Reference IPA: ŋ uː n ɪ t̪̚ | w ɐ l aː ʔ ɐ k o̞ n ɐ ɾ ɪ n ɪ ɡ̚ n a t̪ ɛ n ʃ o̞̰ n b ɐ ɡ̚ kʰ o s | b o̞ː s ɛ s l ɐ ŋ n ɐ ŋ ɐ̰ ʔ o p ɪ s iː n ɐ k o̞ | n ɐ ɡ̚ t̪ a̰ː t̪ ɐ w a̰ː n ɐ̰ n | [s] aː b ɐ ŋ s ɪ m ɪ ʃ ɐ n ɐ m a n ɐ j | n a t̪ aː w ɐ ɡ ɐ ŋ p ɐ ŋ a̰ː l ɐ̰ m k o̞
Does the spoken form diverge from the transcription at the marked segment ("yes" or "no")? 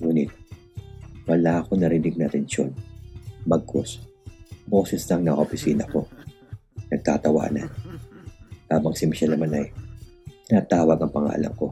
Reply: yes